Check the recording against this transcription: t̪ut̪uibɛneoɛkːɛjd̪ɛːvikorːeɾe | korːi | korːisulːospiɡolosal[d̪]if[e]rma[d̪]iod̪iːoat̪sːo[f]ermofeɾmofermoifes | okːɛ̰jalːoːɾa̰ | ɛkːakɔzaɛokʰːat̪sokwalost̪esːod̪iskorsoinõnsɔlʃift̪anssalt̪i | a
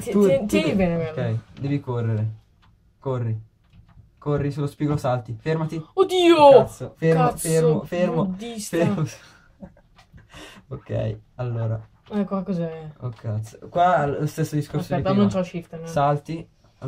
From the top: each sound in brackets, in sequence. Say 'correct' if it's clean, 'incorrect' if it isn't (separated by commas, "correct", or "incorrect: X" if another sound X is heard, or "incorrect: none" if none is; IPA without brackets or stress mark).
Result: incorrect: t̪, correct, incorrect: t̪, correct